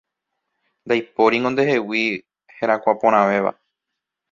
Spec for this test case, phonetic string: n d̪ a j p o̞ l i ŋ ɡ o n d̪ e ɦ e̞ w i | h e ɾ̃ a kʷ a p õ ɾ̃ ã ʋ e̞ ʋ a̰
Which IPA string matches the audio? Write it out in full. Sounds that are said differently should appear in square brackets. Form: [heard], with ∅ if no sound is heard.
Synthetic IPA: n d̪ a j p o̞ [ɾ] i ŋ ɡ o n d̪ e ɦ e̞ w i | h e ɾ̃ a kʷ a p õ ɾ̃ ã ʋ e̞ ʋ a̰

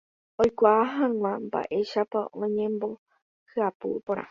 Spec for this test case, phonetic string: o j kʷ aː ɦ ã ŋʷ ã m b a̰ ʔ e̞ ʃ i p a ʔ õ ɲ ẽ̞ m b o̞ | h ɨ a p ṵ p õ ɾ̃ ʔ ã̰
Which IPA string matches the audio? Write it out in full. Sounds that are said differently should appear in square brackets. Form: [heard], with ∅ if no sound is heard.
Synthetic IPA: o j kʷ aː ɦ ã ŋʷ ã m b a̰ ʔ e̞ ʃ [a] p a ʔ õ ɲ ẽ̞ m b o̞ | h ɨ a p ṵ p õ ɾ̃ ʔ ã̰

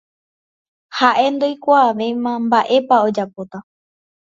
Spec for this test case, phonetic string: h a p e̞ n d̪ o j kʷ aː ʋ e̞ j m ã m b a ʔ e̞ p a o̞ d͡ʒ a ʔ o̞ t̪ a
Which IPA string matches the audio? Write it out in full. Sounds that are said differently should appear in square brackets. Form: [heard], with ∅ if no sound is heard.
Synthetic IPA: h a [ʔ] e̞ n d̪ o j kʷ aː ʋ e̞ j m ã m b a ʔ e̞ p a o̞ d͡ʒ a [p] o̞ t̪ a

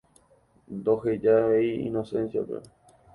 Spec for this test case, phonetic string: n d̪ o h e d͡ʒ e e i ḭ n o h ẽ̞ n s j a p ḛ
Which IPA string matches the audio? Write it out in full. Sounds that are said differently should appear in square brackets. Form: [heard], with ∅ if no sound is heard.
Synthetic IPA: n d̪ o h e d͡ʒ [a] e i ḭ n o [s] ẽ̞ n s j a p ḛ

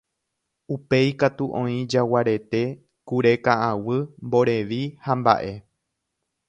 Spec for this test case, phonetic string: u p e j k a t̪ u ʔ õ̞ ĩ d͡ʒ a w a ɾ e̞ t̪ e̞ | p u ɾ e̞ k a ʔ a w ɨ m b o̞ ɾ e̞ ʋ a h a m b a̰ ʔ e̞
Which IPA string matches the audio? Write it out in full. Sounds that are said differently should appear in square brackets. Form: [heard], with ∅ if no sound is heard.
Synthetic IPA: u p e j k a t̪ u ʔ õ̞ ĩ d͡ʒ a w a ɾ e̞ t̪ e̞ | [k] u ɾ e̞ k a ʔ a w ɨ m b o̞ ɾ e̞ ʋ [i] h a m b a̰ ʔ e̞

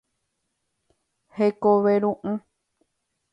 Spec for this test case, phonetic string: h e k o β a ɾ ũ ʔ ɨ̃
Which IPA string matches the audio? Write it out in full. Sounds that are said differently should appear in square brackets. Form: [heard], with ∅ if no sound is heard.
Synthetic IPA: h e k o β [e] ɾ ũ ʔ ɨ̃

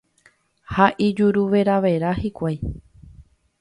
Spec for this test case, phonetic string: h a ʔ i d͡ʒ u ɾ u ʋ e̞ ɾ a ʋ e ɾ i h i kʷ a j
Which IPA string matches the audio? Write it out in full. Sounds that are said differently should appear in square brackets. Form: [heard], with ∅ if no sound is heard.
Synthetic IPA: h a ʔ i d͡ʒ u ɾ u ʋ e̞ ɾ a ʋ e ɾ [a] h i kʷ a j

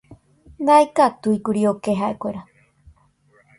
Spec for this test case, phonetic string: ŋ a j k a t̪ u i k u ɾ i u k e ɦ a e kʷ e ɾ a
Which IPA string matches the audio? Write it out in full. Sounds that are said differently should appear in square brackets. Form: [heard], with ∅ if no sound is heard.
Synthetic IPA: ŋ a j k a t̪ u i k u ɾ i [o] k e ɦ a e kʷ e ɾ a

